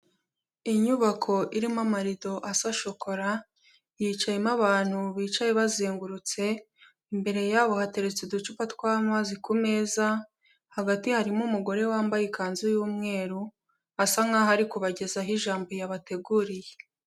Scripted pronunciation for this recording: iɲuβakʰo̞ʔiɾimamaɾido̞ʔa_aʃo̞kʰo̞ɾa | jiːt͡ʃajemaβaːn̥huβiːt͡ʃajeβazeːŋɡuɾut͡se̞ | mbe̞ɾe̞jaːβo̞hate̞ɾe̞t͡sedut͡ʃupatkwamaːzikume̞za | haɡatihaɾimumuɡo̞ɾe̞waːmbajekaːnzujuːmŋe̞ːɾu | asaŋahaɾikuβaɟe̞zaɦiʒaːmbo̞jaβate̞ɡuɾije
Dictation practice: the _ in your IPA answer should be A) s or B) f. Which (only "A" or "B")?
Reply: A